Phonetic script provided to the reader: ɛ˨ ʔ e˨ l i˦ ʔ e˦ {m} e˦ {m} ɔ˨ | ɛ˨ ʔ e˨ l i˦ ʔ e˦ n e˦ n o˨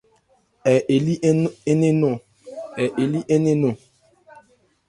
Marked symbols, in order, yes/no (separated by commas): no, no